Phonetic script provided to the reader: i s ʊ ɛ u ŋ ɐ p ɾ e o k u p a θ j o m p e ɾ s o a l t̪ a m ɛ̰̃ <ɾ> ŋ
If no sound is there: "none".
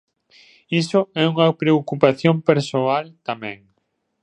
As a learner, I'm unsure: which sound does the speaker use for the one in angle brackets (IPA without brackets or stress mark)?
none